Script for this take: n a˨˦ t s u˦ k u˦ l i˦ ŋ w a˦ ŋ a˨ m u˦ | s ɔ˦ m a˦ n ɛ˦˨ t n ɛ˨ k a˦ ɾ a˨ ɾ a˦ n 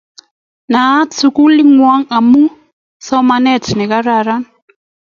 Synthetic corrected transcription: n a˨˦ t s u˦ k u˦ l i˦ ŋ w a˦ ŋ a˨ m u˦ | s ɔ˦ m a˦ n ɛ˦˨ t n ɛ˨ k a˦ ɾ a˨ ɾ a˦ n